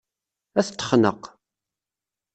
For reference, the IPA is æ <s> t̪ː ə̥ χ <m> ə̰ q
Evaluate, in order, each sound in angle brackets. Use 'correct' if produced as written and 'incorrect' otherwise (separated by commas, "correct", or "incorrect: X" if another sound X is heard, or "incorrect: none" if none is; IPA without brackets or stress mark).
incorrect: θ, incorrect: n